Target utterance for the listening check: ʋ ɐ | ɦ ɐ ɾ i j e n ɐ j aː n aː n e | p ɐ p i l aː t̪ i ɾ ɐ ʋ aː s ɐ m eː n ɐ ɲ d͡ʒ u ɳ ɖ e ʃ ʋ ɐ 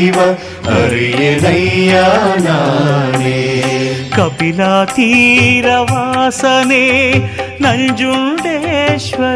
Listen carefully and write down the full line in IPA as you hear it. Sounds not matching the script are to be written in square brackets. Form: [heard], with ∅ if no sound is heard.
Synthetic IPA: ʋ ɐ | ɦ ɐ ɾ i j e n ɐ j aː n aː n e | [k] ɐ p i l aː t̪ i ɾ ɐ ʋ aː s ɐ [n] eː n ɐ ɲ d͡ʒ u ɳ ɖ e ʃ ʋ ɐ